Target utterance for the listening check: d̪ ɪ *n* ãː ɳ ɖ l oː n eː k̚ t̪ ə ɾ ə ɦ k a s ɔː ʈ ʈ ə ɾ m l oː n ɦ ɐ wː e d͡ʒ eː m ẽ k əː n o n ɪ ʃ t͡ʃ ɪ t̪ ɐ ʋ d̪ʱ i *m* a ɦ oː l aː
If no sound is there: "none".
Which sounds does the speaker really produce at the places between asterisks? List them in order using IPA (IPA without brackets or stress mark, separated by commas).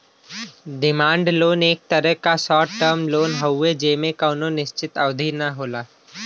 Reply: m, n